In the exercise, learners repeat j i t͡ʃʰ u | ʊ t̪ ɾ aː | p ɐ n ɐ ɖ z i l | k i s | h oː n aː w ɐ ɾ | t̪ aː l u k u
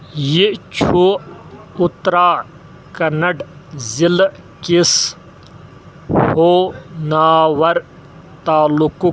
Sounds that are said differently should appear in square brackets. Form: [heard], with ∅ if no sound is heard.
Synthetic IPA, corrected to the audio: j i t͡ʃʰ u | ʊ t̪ ɾ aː | [k] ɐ n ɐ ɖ z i l | k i s | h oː n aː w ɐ ɾ | t̪ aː l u k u